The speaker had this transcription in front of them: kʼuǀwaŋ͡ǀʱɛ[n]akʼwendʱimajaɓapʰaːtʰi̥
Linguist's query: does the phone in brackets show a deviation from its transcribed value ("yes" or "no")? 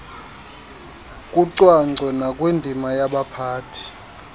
no